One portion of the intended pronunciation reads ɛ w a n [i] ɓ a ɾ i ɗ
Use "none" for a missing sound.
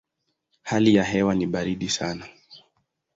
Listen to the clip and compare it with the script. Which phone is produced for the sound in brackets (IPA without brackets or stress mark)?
i